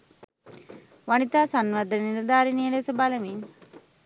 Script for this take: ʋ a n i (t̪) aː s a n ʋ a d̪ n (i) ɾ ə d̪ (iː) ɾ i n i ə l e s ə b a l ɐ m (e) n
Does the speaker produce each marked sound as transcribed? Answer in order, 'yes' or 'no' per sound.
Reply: yes, yes, no, no

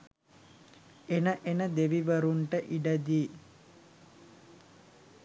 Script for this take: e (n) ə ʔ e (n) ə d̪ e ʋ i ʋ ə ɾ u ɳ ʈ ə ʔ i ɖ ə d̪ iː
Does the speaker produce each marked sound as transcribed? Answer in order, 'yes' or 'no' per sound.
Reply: yes, yes

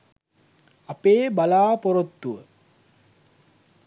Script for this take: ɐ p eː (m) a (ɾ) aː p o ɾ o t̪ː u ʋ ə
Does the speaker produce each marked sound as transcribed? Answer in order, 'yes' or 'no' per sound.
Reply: no, no

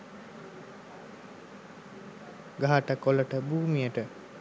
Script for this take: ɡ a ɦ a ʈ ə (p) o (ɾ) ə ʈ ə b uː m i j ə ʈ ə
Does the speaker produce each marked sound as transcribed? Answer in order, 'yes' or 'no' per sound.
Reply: no, no

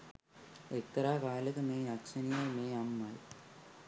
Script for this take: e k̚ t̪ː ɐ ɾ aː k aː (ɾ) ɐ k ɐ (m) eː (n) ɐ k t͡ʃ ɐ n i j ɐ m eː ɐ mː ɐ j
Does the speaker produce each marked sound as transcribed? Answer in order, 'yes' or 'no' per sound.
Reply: no, yes, no

